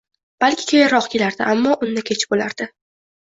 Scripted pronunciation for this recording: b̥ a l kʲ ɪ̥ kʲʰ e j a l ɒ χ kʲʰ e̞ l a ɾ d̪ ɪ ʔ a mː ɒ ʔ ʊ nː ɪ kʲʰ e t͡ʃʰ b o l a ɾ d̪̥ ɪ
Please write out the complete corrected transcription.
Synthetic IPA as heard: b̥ a l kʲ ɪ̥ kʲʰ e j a ɾ ɒ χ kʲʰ e̞ l a ɾ d̪ ɪ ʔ a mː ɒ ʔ ʊ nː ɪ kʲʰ e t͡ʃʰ b o l a ɾ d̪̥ ɪ

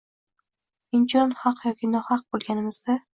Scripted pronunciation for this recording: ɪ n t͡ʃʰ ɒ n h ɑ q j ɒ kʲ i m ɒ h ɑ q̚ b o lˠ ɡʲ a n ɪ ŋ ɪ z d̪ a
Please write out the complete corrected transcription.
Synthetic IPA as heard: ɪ n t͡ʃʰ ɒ n h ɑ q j ɒ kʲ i n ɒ h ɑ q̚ b o lˠ ɡʲ a n ɪ m ɪ z d̪ a

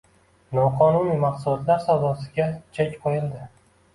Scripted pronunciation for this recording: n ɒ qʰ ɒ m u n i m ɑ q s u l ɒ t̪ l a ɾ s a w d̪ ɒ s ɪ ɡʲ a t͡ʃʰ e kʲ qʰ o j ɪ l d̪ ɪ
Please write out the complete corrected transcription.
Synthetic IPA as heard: n ɒ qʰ ɒ n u n i m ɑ q s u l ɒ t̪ l a ɾ s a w d̪ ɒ s ɪ ɡʲ a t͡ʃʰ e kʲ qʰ o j ɪ l d̪ ɪ

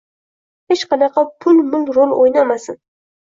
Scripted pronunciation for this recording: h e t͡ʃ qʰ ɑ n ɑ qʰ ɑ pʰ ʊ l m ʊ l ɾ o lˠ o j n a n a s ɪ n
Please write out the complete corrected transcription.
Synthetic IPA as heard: h e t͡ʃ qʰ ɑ n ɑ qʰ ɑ pʰ ʊ l m ʊ l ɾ o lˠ o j n a m a s ɪ n

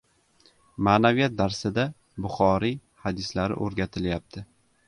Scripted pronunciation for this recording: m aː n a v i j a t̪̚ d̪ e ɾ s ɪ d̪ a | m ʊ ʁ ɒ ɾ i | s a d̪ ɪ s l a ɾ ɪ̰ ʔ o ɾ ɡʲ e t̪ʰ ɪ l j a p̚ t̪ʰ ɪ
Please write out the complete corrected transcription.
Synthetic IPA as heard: m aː n a v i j a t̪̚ d̪ a ɾ s ɪ d̪ a | b ʊ χ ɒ ɾ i | h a d̪ ɪ s l a ɾ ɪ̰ ʔ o ɾ ɡʲ a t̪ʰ ɪ l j a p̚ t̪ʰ ɪ

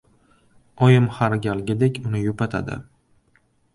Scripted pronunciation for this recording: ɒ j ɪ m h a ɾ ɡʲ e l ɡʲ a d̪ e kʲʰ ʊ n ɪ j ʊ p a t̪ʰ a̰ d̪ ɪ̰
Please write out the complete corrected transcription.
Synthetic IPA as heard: ɒ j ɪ m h a ɾ ɡʲ a l ɡʲ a d̪ e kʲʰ ʊ n ɪ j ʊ p a t̪ʰ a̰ d̪ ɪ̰

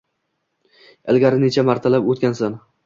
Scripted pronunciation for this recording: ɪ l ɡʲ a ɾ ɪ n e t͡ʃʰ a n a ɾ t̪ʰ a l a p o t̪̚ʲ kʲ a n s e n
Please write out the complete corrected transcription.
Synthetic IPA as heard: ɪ l ɡʲ a ɾ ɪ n e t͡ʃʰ a m a ɾ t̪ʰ a l a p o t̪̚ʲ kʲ a n s a n

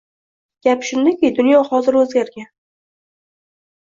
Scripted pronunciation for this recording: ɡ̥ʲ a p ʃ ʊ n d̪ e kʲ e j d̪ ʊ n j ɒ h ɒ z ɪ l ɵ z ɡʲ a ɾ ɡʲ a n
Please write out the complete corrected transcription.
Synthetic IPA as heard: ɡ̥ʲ a p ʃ ʊ n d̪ a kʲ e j d̪ ʊ n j ɒ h ɒ z ɪ ɾ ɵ z ɡʲ a ɾ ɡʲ a n

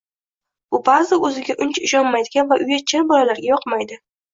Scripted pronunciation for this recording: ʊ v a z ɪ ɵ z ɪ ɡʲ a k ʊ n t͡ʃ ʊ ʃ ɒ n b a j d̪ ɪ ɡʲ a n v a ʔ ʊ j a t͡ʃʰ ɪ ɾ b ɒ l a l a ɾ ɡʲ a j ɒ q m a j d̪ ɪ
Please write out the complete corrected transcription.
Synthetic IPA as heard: ʊ b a z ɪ ɵ z ɪ ɡʲ a ʔ ʊ n t͡ʃ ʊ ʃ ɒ n m a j d̪ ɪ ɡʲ a n v a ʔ ʊ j a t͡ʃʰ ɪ ɾ b ɒ l a l a ɾ ɡʲ a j ɒ q m a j d̪ ɪ

